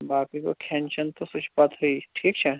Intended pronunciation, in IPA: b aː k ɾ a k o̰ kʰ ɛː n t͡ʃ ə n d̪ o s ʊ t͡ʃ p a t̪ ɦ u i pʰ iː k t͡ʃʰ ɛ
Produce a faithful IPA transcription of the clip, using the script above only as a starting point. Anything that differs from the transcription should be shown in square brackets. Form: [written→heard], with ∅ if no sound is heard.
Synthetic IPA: b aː k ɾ [a→i] k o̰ kʰ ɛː n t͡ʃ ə n [d̪→t̪] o s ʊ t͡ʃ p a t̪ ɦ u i [pʰ→ʈʰ] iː k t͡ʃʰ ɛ